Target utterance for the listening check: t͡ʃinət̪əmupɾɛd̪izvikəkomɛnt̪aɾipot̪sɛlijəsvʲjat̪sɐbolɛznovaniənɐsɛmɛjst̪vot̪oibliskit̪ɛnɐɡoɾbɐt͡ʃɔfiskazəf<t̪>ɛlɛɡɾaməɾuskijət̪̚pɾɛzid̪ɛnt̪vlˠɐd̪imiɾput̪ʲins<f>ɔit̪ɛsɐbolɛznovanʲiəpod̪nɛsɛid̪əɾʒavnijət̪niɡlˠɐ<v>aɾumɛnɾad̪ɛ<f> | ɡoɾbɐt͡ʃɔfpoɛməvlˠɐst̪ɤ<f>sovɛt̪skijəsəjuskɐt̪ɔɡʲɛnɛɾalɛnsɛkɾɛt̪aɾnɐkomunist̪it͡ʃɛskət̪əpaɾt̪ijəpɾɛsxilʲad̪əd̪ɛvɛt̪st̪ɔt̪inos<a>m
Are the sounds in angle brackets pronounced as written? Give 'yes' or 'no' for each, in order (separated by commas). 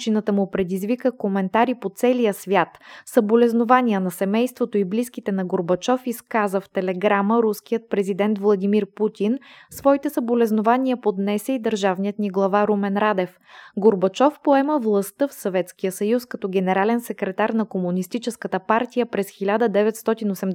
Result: yes, no, yes, yes, yes, no